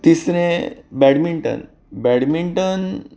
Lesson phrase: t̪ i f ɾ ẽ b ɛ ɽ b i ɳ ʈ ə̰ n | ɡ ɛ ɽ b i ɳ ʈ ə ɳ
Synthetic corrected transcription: t̪ i s ɾ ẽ b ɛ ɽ m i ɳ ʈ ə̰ n | b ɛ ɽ m i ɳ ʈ ə n